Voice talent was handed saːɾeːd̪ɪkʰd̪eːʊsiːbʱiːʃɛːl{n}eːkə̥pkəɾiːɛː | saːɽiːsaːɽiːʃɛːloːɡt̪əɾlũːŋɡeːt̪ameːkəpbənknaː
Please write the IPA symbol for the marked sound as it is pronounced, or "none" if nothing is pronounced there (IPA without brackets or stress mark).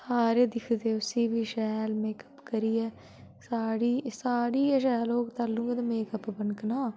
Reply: m